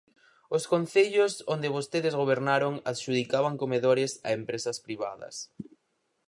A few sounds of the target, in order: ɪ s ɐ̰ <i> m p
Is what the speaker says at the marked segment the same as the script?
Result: no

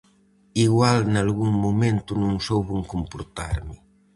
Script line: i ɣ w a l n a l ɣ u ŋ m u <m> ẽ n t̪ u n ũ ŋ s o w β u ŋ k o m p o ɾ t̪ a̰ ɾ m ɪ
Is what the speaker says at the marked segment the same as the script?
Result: yes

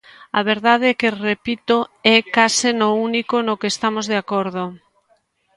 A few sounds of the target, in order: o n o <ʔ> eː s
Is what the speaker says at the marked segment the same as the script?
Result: no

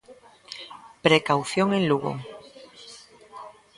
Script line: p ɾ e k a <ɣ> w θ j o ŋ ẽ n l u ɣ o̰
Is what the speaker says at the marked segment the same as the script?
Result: no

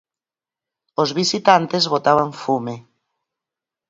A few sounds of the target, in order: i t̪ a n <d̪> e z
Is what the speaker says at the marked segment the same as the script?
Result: no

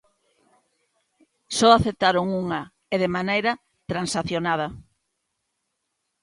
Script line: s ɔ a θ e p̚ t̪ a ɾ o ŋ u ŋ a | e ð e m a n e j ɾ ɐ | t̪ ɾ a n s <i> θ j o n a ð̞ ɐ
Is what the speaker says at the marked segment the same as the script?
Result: no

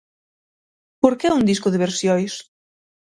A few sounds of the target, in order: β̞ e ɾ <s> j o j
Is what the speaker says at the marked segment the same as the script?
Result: yes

